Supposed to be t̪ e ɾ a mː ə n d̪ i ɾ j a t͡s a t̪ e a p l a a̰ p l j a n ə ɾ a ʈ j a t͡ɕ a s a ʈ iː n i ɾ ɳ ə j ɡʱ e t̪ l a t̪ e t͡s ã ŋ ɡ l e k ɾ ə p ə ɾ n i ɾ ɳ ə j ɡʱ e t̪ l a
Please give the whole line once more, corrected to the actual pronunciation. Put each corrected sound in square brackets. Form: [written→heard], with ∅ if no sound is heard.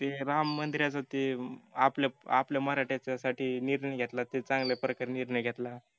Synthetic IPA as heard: t̪ e ɾ a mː ə n d̪ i ɾ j a t͡s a t̪ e a p l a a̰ p l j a [n→m] ə ɾ a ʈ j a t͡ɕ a s a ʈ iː n i ɾ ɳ ə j ɡʱ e t̪ l a t̪ e t͡s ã ŋ ɡ l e [k→p] ɾ ə [p→k] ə ɾ n i ɾ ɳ ə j ɡʱ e t̪ l a